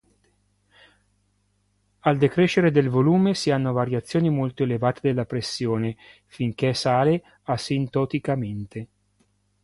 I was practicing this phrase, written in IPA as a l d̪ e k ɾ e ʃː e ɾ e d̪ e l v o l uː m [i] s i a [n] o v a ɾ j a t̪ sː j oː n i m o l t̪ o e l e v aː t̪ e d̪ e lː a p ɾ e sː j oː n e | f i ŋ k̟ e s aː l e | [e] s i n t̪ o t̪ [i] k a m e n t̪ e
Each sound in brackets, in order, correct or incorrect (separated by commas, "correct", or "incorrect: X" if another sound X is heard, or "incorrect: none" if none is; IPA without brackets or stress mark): incorrect: e, incorrect: nː, incorrect: a, correct